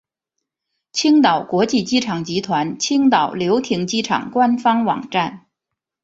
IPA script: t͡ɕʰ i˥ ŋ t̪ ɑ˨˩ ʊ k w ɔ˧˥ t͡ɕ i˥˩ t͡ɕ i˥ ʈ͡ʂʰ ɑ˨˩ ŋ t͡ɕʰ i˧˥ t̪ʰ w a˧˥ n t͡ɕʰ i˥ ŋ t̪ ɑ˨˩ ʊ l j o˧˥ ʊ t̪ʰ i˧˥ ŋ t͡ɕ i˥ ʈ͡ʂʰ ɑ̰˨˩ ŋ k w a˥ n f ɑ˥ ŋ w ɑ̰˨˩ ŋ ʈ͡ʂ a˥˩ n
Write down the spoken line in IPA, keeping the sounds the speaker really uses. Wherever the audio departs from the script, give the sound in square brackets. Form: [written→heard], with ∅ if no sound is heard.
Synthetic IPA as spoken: t͡ɕʰ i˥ ŋ t̪ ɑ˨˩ ʊ k w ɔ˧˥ t͡ɕ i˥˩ t͡ɕ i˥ ʈ͡ʂʰ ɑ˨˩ ŋ [t͡ɕʰ→t͡ɕ] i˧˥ t̪ʰ w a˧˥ n t͡ɕʰ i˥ ŋ t̪ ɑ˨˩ ʊ l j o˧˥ ʊ t̪ʰ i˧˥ ŋ t͡ɕ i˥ ʈ͡ʂʰ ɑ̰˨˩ ŋ k w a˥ n f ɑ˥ ŋ w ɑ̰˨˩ ŋ ʈ͡ʂ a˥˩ n